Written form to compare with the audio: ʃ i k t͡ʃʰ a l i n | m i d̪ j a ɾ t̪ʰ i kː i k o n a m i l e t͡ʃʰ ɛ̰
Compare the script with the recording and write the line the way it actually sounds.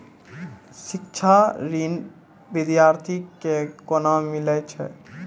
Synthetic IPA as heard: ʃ i k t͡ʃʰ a ɾ i n | b i d̪ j a ɾ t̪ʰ i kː e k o n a m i l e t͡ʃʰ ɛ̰